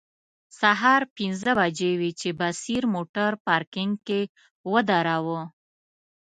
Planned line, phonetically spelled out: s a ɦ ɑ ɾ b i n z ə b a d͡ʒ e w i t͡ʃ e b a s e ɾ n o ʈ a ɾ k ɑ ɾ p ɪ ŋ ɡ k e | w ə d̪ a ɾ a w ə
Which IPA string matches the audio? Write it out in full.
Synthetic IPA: s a ɦ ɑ ɾ p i n z ə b a d͡ʒ e w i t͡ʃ e b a s i ɾ m o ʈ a ɾ p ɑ ɾ k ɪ ŋ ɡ k e | w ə d̪ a ɾ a w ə